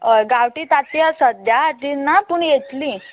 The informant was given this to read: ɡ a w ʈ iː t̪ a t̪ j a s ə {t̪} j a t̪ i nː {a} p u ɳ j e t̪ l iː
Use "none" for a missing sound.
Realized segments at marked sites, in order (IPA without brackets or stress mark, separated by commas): d̪, a